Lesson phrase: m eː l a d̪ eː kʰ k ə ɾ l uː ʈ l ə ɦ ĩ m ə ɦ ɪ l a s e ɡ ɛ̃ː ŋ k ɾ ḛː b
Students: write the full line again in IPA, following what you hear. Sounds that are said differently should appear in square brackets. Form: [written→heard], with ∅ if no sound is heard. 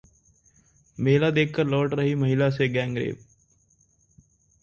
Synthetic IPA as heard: m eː l a d̪ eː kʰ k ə ɾ l [uː→ɔː] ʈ [l→ɾ] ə ɦ [ĩ→i] m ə ɦ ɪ l a s e ɡ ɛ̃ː ŋ [k→ɡ] ɾ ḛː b